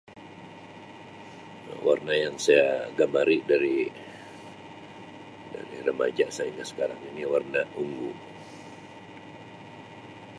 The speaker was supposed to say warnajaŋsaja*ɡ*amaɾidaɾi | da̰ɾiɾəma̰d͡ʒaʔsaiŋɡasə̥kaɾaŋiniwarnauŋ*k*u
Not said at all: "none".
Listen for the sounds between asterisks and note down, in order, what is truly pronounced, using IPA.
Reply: ɡ, ɡ

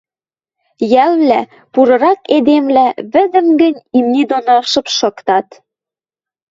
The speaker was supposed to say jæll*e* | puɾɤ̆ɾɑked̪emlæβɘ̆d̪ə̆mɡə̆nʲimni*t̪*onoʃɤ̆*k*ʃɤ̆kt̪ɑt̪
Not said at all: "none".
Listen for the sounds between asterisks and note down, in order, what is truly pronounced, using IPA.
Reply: æ, d̪, p

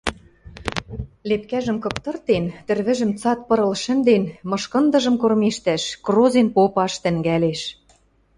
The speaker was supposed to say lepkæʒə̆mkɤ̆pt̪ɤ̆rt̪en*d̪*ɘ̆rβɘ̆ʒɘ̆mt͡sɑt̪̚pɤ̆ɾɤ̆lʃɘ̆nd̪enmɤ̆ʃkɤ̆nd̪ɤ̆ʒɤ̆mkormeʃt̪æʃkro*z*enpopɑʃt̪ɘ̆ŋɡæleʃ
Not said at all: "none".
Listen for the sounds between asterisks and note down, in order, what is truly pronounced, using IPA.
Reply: t̪, z

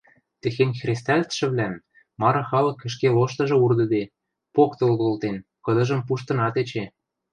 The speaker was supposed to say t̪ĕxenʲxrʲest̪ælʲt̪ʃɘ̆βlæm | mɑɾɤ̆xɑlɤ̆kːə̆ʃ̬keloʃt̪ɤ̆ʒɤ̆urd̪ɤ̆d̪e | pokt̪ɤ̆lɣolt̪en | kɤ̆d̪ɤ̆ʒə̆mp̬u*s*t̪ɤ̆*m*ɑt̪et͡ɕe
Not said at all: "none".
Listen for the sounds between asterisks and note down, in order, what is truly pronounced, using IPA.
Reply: ʃ, n

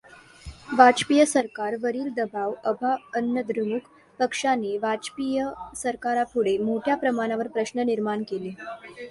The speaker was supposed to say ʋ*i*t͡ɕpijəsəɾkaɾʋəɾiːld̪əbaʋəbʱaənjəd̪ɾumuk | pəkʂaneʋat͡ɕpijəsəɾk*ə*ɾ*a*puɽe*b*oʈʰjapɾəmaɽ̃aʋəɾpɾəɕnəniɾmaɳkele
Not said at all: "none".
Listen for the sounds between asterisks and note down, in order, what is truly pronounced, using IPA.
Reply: a, a, a, m

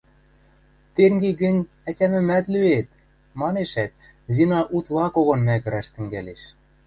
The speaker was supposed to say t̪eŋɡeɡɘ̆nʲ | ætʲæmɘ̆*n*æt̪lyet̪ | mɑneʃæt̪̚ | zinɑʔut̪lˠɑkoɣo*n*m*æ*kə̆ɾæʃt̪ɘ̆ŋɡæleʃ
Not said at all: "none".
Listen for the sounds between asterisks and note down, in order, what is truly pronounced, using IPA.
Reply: m, n, æ

